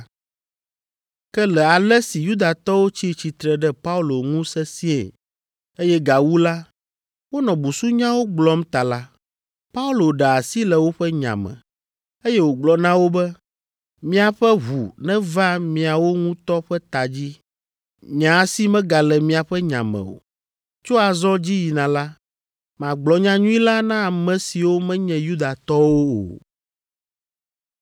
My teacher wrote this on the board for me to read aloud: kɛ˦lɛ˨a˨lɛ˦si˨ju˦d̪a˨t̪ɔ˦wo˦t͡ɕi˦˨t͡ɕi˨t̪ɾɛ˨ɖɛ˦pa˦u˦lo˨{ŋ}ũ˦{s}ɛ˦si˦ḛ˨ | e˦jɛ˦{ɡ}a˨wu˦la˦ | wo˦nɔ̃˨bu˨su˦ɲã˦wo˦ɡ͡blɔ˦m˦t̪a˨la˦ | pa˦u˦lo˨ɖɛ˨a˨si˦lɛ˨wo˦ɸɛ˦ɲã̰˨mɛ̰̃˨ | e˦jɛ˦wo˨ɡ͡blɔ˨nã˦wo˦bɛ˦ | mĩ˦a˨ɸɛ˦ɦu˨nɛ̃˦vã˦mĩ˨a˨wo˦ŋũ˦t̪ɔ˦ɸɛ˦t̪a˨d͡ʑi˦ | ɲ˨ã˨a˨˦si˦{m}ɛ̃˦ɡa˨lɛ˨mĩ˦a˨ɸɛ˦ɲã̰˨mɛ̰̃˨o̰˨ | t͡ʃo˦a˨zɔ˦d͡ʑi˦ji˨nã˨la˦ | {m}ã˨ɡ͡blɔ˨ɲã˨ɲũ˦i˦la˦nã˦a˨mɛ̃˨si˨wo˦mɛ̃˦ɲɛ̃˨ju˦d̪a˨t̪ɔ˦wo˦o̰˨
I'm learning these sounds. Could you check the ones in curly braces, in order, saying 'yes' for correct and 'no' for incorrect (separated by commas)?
yes, yes, yes, yes, yes